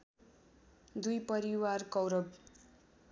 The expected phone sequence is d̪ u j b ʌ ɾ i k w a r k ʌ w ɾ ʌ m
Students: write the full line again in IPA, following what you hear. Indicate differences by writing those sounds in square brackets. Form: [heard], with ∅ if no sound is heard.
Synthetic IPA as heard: d̪ u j [p] ʌ ɾ i [∅] w a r k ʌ w ɾ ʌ [b]